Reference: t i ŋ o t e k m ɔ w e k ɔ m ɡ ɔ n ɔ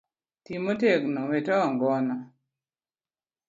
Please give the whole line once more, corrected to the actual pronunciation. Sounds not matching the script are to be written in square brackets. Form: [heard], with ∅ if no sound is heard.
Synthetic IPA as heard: t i [m] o t e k [n] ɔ w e [t] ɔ [ŋ] ɡ ɔ n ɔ